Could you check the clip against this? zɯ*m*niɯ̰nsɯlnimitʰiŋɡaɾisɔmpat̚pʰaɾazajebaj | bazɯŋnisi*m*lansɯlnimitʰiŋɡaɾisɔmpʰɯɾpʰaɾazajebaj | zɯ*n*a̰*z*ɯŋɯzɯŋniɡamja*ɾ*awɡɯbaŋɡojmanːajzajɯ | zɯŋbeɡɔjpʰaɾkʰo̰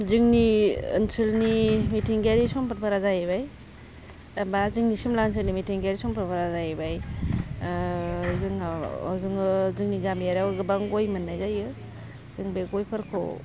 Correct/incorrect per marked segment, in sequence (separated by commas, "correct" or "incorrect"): incorrect, correct, incorrect, correct, correct